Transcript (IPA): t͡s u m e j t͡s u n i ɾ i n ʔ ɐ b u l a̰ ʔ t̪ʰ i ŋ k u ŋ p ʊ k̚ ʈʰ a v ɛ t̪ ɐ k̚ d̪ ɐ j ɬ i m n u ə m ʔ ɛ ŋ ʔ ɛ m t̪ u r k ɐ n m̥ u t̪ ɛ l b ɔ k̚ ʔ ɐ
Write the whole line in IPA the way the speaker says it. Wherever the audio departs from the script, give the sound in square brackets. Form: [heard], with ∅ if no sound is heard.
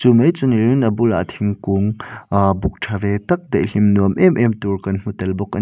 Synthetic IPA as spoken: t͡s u m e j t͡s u n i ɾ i n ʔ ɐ b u l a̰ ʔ t̪ʰ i ŋ k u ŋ [b] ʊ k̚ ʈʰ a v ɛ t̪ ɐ k̚ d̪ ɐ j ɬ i m n u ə m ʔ ɛ [m] ʔ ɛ m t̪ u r k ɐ n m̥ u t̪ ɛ l b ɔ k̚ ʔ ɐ

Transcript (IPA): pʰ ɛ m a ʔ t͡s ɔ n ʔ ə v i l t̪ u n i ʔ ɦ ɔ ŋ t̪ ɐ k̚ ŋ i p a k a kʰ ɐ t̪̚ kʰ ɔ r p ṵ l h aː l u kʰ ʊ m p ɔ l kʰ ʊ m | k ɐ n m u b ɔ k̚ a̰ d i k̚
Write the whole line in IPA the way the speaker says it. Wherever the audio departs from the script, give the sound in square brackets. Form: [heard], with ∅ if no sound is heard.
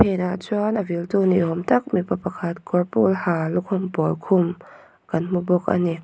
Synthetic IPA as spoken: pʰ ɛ [n] a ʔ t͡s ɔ n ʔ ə v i l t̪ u n i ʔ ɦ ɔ [m] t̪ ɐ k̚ [m] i p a [p] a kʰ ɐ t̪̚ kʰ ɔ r p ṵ l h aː l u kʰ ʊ m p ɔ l kʰ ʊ m | k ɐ n m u b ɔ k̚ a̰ [n] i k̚

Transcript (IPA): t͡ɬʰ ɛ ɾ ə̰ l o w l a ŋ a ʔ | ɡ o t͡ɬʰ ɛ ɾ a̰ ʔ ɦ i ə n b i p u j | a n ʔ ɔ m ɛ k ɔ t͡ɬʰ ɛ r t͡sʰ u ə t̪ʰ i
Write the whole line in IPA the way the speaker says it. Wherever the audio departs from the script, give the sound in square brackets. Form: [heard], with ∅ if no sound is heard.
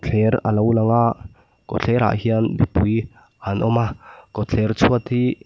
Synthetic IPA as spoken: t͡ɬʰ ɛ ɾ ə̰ l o w l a ŋ a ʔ | [k] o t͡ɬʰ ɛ ɾ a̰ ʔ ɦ i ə n b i p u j | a n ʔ ɔ m [a] k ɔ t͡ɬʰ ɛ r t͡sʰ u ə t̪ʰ i

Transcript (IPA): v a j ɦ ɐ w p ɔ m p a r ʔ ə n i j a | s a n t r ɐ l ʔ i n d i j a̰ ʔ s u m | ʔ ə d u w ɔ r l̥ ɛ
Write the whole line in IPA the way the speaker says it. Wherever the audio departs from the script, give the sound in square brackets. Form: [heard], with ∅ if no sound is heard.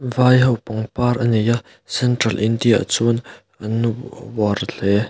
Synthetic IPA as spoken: v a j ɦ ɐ w p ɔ [ŋ] p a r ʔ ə n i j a | s [ɛ] n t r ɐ l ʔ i n d i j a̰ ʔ [t͡s] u [n] | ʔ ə [n] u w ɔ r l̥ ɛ

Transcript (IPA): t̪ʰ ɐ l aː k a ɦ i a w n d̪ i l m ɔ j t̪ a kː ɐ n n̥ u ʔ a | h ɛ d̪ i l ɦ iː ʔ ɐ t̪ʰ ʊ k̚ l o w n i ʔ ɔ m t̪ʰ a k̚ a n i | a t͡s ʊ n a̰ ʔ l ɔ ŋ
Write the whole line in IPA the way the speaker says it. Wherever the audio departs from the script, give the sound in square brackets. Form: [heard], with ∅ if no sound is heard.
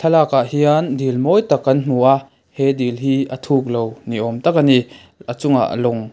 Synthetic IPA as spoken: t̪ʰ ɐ l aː k a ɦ i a [∅] n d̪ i l m ɔ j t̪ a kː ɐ n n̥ u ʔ a | h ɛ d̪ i l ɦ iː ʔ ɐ t̪ʰ [u] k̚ l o w n i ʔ ɔ m [t̪] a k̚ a n i | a t͡s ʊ [ŋ] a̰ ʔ l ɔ ŋ

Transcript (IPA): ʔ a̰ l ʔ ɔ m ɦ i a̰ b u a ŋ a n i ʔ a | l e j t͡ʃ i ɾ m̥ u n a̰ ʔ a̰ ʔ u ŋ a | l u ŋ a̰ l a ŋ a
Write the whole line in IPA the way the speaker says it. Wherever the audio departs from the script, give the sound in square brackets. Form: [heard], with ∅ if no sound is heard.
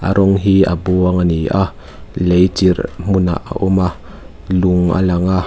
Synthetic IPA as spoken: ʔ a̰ [ɾ] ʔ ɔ [ŋ] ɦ i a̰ b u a ŋ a n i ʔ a | l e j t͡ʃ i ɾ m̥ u n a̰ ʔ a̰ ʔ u [m] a | l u ŋ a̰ l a ŋ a

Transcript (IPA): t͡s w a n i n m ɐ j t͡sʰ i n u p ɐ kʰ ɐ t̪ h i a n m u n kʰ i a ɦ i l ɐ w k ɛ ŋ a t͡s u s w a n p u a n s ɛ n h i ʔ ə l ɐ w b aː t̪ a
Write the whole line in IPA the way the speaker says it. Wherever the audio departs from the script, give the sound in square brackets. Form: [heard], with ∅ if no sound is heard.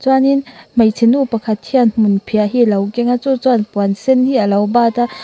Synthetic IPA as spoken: t͡s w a n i n m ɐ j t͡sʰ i n u p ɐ kʰ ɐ t̪ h i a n m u n [pʰ] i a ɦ i l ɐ w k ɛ ŋ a t͡s u [t͡s] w a n p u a n s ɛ n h i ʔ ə l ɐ w b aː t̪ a

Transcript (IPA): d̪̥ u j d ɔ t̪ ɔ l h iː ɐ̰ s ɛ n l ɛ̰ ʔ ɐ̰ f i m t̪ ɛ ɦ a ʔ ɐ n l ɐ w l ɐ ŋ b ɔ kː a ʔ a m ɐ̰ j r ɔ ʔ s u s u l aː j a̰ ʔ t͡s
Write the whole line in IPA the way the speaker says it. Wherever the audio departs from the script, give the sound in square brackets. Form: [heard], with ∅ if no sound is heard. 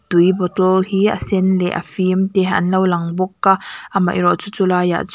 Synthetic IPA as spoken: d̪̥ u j [b] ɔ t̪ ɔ l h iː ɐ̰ s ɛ n l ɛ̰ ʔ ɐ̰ f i m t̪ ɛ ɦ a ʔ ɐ n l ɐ w l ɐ ŋ b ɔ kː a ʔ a m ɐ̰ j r ɔ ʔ [t͡s] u [t͡s] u l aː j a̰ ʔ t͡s

